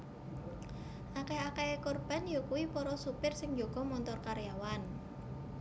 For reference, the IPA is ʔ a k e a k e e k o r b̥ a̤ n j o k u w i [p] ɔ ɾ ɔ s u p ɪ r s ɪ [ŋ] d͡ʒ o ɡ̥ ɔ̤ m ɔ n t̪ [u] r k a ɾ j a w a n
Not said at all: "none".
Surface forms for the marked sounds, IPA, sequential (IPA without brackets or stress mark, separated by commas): p, ŋ, ɔ